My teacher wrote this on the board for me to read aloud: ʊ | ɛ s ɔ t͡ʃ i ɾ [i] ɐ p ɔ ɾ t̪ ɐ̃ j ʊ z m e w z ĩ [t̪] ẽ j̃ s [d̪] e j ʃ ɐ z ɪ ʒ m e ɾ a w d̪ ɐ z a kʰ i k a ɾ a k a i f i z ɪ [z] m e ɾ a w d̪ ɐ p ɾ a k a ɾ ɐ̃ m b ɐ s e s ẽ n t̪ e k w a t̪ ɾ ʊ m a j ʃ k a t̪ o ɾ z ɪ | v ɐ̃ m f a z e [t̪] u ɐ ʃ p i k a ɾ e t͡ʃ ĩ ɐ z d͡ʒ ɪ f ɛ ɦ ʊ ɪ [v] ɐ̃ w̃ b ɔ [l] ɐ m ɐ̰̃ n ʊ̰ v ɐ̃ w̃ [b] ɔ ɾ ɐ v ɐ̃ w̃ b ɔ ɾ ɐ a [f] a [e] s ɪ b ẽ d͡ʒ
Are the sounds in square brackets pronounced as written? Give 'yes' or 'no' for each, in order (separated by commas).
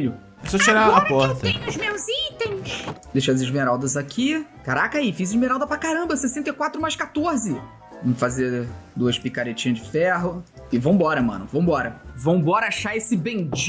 no, yes, yes, no, no, yes, no, yes, no, yes